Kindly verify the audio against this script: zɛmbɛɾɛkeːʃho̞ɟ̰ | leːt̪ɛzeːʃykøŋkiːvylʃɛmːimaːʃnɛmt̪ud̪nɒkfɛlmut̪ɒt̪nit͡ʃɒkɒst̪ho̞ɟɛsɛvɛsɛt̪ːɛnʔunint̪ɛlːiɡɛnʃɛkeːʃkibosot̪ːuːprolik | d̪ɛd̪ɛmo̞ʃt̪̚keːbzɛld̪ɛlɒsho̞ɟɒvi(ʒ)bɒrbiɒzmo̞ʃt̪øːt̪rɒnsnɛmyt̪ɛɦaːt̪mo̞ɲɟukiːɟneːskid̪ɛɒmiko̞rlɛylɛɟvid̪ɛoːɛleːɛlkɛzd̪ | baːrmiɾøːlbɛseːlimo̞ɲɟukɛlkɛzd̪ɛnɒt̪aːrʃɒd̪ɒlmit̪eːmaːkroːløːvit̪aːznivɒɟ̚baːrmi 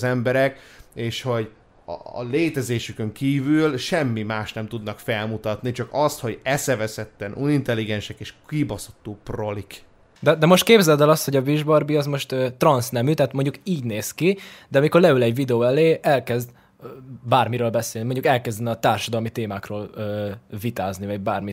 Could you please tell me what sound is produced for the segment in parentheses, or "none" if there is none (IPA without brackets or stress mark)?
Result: ʒ